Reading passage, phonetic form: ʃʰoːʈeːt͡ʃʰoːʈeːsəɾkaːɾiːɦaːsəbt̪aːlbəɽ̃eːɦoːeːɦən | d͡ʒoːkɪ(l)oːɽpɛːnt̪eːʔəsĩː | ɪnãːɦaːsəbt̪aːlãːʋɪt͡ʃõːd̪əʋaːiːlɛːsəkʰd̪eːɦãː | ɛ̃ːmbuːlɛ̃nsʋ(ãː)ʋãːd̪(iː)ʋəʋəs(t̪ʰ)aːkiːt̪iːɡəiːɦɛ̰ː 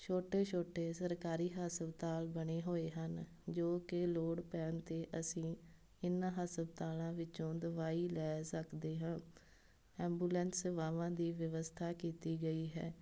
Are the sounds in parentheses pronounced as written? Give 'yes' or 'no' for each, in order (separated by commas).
yes, no, yes, yes